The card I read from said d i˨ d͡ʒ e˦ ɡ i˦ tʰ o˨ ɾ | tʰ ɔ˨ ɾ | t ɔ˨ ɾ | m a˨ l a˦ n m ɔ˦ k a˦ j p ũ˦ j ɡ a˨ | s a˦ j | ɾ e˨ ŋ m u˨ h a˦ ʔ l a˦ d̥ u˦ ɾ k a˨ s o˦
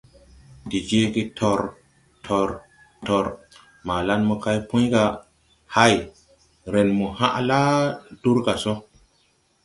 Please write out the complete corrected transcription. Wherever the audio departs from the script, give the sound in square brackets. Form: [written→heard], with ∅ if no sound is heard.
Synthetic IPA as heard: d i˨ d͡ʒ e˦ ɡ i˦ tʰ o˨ ɾ | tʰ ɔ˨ ɾ | t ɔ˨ ɾ | m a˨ l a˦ n m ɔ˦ k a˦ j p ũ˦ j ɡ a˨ | [s→h] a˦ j | ɾ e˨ [ŋ→n] m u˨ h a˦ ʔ l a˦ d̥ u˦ ɾ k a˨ s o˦